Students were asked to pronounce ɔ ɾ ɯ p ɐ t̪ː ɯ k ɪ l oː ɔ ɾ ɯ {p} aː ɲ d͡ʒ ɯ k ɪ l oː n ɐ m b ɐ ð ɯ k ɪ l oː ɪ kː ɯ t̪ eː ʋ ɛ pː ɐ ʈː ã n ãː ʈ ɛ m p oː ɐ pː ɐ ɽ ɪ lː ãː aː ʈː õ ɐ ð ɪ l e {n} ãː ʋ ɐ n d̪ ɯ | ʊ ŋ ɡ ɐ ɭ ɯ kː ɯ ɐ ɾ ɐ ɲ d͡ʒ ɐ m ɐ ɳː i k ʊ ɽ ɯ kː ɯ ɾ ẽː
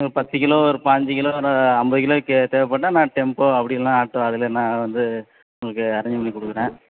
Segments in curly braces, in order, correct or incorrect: correct, correct

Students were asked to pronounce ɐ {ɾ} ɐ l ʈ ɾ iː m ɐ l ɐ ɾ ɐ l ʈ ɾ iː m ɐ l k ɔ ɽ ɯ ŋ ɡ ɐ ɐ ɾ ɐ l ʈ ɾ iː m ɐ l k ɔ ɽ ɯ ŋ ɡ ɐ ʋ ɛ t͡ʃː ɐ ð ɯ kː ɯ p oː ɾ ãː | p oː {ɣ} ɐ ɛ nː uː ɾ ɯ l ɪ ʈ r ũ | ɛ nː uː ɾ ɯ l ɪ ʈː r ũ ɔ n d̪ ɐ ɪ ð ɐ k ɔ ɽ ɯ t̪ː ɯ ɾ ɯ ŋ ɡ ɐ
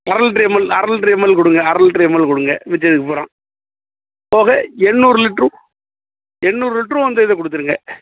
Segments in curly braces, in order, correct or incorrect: correct, correct

